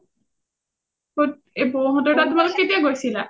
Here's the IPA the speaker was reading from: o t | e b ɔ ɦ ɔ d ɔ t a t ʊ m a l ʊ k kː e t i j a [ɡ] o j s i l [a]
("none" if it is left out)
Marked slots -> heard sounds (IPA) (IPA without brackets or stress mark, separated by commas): ɡ, a